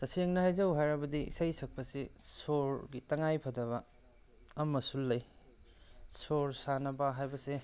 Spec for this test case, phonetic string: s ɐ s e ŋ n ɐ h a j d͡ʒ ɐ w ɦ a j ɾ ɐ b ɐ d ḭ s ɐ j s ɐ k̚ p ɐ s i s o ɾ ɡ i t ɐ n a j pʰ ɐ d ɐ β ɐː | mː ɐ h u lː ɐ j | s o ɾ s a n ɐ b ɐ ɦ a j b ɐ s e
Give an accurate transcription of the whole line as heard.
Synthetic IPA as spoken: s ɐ s e ŋ n ɐ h a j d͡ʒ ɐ w ɦ a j ɾ ɐ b ɐ d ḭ s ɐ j s ɐ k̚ p ɐ s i s o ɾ ɡ i t ɐ ŋ a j pʰ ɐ d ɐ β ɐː | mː ɐ s u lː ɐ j | s o ɾ s a n ɐ b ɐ ɦ a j b ɐ s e